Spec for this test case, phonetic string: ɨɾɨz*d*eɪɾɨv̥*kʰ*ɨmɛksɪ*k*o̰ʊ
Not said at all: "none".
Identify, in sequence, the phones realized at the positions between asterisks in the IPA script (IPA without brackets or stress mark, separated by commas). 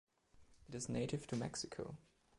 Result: n, tʰ, kʰ